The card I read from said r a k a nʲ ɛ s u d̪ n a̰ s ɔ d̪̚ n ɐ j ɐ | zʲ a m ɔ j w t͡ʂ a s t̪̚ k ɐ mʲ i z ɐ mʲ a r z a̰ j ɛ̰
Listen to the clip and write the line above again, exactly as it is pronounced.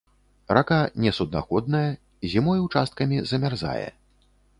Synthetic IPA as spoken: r a k a nʲ ɛ s u d̪ n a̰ x ɔ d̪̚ n ɐ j ɐ | zʲ i m ɔ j w t͡ʂ a s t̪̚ k ɐ mʲ i z ɐ mʲ a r z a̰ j ɛ̰